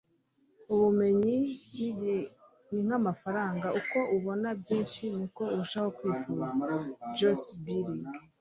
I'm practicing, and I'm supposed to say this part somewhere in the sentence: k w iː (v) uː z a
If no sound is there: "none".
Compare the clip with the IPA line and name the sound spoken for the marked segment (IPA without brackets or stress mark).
f